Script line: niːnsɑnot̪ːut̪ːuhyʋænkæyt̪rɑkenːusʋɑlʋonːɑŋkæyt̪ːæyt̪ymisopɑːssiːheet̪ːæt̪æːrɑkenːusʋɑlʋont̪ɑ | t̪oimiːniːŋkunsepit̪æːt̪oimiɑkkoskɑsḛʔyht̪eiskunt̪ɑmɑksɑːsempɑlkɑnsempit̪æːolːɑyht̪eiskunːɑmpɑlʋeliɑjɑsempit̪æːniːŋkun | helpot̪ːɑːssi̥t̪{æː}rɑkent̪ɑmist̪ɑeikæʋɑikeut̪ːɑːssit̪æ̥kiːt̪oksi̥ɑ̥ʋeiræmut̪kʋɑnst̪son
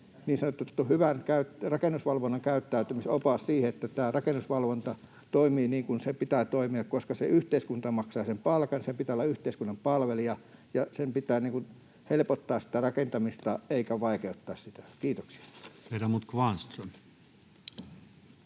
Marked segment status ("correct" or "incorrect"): incorrect